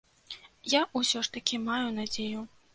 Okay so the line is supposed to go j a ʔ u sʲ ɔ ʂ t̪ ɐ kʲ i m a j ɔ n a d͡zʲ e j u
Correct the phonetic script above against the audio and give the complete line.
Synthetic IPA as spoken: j a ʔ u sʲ ɔ ʂ t̪ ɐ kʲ i m a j u n a d͡zʲ e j u